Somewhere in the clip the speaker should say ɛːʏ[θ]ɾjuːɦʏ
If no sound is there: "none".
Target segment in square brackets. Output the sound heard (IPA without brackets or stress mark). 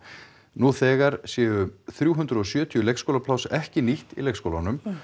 θ